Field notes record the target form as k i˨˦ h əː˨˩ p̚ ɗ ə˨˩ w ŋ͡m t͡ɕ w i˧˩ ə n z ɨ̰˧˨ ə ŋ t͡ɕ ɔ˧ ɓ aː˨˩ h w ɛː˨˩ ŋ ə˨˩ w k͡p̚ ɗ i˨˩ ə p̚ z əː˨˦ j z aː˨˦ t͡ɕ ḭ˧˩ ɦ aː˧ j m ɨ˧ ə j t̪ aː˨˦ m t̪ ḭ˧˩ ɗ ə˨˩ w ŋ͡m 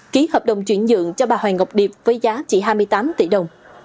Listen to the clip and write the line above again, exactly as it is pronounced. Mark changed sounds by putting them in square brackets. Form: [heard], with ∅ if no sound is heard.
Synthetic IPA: k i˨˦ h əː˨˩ p̚ ɗ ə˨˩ w ŋ͡m t͡ɕ w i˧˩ ə n z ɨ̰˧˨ ə ŋ t͡ɕ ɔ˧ ɓ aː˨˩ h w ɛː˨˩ ŋ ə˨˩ w k͡p̚ ɗ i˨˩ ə p̚ [v] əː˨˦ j z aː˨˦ t͡ɕ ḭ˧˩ ɦ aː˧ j m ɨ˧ ə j t̪ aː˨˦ m t̪ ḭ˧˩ ɗ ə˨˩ w ŋ͡m